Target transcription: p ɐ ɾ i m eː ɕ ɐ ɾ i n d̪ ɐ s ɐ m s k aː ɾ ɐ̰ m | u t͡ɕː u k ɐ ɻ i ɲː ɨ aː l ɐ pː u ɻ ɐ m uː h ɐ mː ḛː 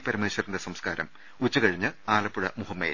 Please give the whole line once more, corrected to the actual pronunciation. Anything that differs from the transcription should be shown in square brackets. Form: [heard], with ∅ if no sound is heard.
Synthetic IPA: p ɐ ɾ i m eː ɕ ɐ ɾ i n d̪ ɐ s ɐ m s k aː ɾ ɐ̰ m | u t͡ɕː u k ɐ ɻ i ɲː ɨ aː l ɐ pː u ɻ ɐ m [u] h ɐ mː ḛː